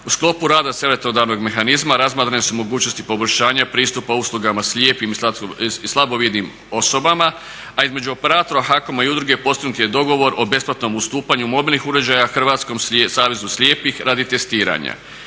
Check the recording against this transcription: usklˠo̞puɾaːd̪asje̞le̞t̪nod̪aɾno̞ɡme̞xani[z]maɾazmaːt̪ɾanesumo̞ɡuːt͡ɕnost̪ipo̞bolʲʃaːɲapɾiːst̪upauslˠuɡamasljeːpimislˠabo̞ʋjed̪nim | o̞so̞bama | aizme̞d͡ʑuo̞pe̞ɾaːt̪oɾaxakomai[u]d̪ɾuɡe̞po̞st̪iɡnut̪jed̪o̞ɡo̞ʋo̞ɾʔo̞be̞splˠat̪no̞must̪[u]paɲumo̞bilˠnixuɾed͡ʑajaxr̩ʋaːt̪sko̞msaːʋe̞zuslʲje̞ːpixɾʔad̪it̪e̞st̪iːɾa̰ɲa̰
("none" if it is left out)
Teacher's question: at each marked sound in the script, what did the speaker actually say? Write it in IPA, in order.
z, u, uː

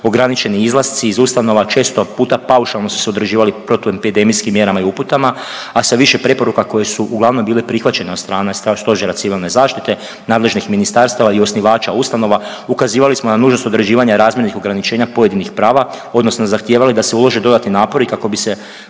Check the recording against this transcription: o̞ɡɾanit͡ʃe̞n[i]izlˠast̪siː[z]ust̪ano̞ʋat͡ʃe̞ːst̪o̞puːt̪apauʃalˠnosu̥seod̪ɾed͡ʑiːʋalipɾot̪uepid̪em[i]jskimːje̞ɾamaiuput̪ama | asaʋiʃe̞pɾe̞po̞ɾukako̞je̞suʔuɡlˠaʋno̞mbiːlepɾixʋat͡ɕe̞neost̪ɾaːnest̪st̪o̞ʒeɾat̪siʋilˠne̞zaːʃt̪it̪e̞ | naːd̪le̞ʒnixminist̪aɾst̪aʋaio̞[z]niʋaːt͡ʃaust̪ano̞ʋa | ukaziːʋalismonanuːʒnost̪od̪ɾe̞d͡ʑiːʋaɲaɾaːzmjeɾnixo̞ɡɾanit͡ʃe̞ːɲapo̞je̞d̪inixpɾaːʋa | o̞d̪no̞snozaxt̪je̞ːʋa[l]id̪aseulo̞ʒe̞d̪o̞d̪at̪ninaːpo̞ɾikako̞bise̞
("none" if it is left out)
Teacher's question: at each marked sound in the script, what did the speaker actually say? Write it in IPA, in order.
i, z, i, s, l

